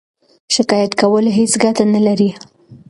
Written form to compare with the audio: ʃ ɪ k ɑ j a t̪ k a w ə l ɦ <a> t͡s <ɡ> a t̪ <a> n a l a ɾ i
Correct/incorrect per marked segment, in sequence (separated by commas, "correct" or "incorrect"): incorrect, correct, correct